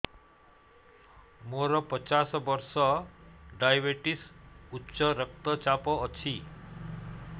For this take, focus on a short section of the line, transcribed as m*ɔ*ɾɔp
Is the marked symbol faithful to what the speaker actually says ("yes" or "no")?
no